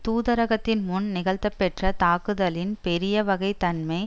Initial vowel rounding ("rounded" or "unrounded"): rounded